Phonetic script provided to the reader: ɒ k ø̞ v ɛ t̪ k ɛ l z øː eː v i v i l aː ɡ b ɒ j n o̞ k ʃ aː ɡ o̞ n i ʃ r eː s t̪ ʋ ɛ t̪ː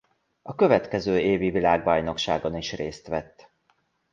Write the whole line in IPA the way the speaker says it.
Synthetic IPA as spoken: ɒ k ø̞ v ɛ t̪ k ɛ z øː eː v i v i l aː ɡ b ɒ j n o̞ k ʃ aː ɡ o̞ n i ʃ r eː s t̪ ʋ ɛ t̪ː